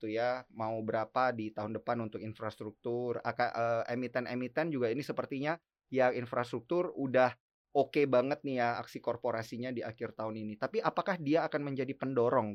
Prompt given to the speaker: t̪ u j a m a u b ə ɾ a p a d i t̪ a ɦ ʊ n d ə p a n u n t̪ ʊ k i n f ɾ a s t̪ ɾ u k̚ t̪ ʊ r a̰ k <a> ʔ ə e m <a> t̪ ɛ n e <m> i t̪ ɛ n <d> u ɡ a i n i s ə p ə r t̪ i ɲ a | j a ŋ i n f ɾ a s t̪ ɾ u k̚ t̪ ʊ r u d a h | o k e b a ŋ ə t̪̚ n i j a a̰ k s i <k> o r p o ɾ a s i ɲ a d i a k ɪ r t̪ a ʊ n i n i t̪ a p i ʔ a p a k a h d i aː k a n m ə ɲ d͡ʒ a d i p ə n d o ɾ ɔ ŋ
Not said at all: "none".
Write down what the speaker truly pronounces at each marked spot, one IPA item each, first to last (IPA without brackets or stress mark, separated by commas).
a, i, m, d͡ʒ, k